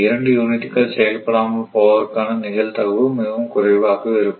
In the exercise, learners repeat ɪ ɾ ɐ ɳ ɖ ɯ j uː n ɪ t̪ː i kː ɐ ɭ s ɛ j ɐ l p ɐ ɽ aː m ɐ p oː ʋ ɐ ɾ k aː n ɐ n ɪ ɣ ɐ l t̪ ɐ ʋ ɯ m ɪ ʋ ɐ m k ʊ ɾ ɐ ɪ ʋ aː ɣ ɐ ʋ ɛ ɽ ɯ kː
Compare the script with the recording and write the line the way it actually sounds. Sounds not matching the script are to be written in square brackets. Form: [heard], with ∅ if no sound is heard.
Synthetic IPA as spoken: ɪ ɾ ɐ ɳ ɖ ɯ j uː n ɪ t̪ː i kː ɐ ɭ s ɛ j ɐ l p ɐ ɽ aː m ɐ p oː ʋ ɐ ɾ k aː n ɐ n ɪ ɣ ɐ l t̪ ɐ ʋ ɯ m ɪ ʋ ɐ m k ʊ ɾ ɐ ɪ ʋ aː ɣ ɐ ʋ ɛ [ɾ] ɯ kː